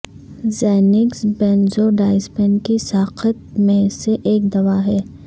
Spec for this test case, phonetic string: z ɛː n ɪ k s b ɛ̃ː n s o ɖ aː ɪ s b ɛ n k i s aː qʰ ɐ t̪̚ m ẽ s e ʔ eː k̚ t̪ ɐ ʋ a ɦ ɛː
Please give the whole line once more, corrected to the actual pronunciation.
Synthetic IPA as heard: z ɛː n ɪ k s b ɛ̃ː n z o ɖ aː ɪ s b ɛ n k i s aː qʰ ə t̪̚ m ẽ s e ʔ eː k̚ d̪ ɐ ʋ a ɦ ɛː